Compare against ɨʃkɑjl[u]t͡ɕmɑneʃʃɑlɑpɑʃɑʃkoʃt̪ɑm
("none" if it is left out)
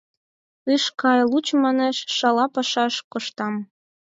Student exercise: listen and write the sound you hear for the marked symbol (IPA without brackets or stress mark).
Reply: u